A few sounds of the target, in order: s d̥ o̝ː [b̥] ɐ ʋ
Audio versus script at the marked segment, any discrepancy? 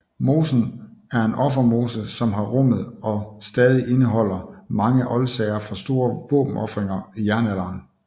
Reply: yes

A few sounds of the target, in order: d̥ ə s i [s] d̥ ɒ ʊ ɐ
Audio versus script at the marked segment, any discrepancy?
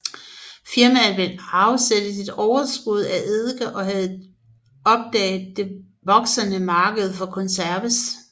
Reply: yes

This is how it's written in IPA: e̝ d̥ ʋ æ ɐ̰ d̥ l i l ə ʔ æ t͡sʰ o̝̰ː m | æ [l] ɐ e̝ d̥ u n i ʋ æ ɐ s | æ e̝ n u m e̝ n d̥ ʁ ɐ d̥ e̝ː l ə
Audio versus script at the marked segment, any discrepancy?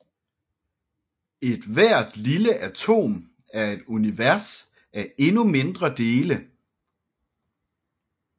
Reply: yes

